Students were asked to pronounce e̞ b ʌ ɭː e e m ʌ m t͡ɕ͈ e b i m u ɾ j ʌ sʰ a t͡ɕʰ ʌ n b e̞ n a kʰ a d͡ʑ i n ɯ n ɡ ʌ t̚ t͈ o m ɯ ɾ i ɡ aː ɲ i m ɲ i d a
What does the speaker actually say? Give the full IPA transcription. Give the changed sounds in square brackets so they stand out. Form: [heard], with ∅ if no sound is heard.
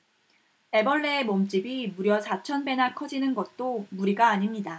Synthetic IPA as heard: e̞ b ʌ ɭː e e m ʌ m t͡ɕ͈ [i] b i m u ɾ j ʌ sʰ a t͡ɕʰ ʌ n b e̞ n a kʰ [ʌ] d͡ʑ i n ɯ n ɡ ʌ t̚ t͈ o m [u] ɾ i ɡ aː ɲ i m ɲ i d a